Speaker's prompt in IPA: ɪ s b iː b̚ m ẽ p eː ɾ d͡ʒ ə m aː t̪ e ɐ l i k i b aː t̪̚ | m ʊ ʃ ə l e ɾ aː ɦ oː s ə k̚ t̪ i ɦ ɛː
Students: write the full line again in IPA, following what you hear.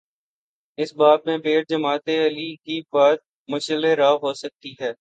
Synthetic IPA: ɪ s b aː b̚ m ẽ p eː ɾ d͡ʒ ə m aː t̪ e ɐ l i k i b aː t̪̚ | m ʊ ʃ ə l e ɾ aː ɦ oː s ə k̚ t̪ i ɦ ɛː